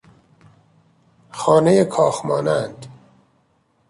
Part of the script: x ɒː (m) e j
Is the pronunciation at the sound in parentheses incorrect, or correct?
incorrect